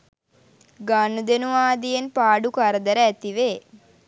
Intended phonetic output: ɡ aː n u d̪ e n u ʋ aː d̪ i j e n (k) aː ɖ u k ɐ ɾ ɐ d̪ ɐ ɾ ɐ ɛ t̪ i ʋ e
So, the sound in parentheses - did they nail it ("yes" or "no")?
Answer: no